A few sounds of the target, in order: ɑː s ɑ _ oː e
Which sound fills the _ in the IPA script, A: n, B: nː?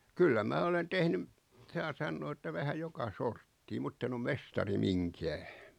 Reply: B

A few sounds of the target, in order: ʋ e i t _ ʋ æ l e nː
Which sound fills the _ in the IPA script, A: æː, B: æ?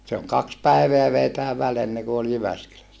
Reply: A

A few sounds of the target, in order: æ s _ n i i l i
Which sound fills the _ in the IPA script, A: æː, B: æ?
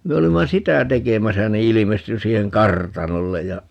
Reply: B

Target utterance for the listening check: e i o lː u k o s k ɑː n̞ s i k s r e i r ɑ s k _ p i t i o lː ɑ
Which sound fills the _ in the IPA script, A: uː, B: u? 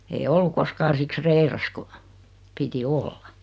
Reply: B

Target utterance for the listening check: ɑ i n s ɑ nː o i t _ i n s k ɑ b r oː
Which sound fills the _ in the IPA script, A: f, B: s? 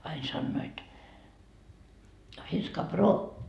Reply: A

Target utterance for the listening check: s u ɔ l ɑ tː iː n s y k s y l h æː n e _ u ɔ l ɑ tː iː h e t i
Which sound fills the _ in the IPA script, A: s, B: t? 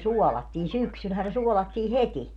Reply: A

